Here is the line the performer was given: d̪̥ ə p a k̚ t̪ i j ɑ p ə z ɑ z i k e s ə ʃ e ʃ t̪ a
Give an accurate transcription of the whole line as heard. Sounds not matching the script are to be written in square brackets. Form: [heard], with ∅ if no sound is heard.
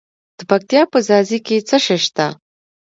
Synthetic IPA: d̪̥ ə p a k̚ t̪ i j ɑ p ə z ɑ z i k e [t͡s] ə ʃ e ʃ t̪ a